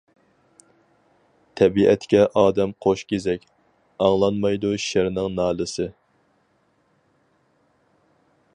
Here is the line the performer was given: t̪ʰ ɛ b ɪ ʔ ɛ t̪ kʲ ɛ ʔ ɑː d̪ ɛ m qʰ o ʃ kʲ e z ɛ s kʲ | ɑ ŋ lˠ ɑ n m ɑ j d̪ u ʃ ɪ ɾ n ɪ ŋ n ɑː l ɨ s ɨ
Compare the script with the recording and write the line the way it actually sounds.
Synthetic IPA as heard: t̪ʰ ɛ b i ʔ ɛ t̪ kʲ ɛ ʔ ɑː d̪ ɛ m qʰ o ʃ kʲ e z ɛ kʲ | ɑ ŋ lˠ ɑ n m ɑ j d̪ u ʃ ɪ ɾ n ɪ ŋ n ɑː l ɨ s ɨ